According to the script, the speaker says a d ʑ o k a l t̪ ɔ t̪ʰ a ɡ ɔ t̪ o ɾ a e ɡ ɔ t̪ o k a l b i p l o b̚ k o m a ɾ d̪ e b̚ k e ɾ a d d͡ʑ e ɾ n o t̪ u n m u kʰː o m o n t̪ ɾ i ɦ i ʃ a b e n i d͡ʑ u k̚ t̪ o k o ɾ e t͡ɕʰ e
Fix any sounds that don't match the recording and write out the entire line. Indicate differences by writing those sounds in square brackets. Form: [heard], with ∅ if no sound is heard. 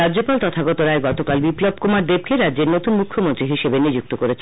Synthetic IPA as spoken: a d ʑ o [p] a l t̪ ɔ t̪ʰ a ɡ ɔ t̪ o ɾ a e ɡ ɔ t̪ o k a l b i p l o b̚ k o m a ɾ d̪ e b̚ k e ɾ a d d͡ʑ e ɾ n o t̪ u n m u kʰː o m o n t̪ ɾ i ɦ i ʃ [e] b e n i d͡ʑ u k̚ t̪ o k o ɾ e t͡ɕʰ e